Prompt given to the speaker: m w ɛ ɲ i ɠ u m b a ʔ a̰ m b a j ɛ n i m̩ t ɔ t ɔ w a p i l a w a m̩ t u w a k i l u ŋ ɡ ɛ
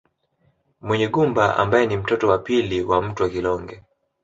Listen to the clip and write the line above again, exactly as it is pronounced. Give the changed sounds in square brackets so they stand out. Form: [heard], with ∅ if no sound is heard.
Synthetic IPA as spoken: m w ɛ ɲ [ɛ] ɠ u m b a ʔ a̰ m b a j ɛ n i m̩ t ɔ t ɔ w a p i l [i] w a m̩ t u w a k i l [ɔ] ŋ ɡ ɛ

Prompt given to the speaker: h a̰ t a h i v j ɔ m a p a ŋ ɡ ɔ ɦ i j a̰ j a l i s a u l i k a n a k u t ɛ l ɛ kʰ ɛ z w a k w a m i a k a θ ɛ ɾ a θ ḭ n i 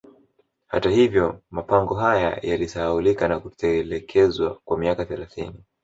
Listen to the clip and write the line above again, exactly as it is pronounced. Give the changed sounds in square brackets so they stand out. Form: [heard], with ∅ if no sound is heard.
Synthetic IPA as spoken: h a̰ t a h i v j ɔ m a p a ŋ ɡ ɔ ɦ [a] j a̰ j a l i s a u l i k a n a k u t ɛ l ɛ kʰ ɛ z w a k w a m i a k a θ ɛ [l] a θ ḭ n i

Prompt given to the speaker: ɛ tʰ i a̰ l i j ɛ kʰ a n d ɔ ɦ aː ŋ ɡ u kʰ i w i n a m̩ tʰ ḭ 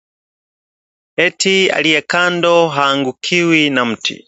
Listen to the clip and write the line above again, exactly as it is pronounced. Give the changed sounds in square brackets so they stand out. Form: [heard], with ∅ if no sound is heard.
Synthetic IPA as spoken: ɛ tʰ i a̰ l i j ɛ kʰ a n d ɔ ɦ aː ŋ ɡ u kʰ i w i n a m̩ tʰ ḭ

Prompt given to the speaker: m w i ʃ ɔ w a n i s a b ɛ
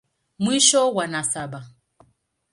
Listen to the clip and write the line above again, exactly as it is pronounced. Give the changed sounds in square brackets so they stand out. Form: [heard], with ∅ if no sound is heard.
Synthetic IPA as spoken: m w i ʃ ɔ w a n [a] s a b [a]

